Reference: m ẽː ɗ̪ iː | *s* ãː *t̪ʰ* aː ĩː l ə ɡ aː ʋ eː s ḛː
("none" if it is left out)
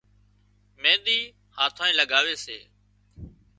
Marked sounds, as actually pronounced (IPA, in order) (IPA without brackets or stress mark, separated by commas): h, t̪ʰ